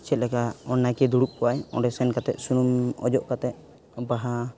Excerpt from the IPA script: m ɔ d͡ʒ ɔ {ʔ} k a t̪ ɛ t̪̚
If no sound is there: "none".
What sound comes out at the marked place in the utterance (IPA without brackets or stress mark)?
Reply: ʔ